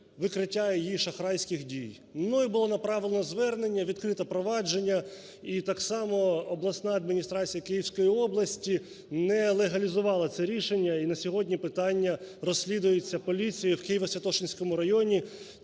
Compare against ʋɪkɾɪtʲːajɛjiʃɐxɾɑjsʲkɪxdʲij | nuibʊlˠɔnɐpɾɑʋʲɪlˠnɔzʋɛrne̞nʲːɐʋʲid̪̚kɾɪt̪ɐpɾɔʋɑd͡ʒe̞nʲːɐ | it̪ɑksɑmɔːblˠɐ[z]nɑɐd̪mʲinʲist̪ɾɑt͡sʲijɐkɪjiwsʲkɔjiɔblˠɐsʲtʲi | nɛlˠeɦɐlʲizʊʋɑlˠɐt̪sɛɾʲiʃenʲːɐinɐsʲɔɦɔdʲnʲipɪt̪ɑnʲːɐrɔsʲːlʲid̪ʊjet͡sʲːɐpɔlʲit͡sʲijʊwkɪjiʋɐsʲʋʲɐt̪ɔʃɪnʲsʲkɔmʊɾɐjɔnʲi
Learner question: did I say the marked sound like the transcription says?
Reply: no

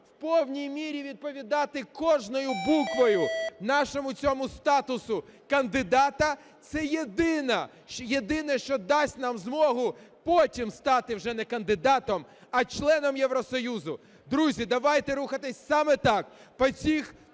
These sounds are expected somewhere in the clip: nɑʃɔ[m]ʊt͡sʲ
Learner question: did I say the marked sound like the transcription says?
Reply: yes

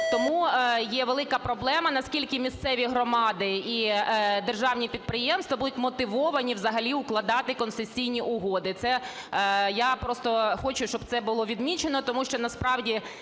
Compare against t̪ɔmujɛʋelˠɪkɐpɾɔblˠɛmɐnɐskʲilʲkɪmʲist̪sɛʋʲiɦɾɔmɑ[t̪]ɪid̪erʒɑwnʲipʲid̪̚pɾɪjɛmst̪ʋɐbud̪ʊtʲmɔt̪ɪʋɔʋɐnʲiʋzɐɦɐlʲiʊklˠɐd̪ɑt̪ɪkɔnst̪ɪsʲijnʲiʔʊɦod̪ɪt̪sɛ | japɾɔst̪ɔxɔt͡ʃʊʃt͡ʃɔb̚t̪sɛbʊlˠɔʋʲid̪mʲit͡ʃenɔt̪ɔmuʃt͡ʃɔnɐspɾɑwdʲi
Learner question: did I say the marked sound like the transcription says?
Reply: no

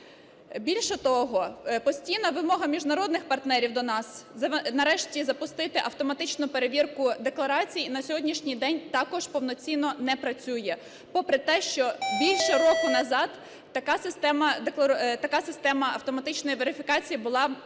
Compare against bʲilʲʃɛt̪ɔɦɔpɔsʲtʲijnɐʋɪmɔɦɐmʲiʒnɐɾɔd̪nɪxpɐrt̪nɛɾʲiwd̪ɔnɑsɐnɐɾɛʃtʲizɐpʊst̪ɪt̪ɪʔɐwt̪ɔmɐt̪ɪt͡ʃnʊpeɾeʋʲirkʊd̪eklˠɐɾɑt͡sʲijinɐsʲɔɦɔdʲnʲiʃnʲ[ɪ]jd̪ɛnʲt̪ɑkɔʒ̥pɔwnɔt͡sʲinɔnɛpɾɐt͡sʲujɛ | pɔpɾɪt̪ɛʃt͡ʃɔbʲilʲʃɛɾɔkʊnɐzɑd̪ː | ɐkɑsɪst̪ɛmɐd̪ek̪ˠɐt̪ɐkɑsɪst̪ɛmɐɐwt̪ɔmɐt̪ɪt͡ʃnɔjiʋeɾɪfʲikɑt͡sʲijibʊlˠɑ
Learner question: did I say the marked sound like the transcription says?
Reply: no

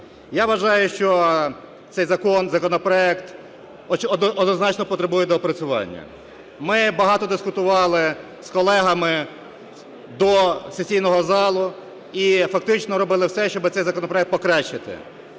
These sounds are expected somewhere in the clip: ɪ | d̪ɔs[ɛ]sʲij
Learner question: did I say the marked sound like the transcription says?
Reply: no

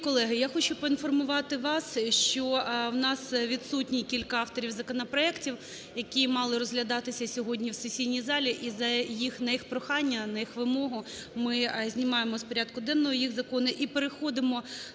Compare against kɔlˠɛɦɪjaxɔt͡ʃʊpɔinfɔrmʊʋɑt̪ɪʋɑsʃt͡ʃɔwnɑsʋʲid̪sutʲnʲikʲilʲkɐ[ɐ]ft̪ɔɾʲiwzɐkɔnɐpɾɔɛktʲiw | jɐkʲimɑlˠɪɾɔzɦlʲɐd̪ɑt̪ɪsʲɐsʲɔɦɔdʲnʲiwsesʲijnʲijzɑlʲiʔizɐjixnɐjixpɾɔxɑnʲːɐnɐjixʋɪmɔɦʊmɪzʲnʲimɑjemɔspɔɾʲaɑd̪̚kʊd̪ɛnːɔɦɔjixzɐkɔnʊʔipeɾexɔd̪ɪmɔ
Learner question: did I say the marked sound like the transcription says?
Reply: no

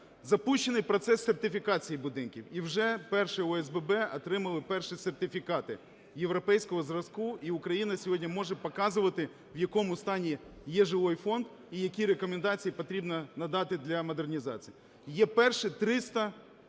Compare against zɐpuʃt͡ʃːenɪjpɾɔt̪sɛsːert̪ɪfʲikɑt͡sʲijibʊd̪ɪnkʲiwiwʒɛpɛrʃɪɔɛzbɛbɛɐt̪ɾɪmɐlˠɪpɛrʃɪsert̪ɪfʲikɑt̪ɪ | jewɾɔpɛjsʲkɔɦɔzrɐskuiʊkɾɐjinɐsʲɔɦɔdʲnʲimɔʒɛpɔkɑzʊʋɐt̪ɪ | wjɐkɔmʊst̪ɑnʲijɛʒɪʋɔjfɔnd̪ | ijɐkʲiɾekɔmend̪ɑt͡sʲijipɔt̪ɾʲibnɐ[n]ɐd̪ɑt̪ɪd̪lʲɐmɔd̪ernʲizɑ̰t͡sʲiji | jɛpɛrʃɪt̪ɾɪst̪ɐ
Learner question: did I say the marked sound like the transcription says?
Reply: yes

